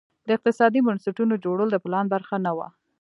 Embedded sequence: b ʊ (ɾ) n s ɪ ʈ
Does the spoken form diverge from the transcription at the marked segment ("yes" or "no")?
yes